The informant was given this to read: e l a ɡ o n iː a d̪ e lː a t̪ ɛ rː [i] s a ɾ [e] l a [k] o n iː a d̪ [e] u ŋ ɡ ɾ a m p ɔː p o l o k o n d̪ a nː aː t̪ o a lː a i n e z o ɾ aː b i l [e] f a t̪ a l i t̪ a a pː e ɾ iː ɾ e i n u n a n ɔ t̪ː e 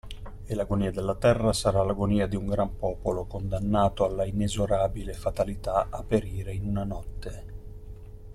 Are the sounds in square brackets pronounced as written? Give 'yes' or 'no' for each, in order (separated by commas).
no, no, no, no, yes